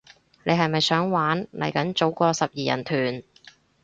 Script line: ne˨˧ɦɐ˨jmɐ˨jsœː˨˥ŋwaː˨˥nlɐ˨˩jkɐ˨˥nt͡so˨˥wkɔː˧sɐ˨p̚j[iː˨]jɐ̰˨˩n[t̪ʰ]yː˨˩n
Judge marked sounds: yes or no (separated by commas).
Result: yes, yes